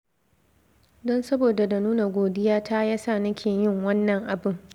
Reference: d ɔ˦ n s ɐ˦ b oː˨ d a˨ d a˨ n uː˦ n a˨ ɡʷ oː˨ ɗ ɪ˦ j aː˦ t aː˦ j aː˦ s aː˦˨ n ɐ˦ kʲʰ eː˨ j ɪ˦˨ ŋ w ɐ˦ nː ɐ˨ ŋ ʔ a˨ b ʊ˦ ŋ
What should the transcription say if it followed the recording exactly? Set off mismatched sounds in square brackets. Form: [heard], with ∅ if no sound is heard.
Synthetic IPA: d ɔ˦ n s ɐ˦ b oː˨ d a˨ d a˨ n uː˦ n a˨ ɡʷ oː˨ [d] ɪ˦ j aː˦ t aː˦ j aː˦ s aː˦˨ n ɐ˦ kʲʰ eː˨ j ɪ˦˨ ŋ w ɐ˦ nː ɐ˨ ŋ ʔ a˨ b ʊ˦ ŋ